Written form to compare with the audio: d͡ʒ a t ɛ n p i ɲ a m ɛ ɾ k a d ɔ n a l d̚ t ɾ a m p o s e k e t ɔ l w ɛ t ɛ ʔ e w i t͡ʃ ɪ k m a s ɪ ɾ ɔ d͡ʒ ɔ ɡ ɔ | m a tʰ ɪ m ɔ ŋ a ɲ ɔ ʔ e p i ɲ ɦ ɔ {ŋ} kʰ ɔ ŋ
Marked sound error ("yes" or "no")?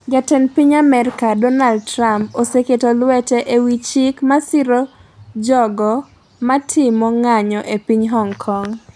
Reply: no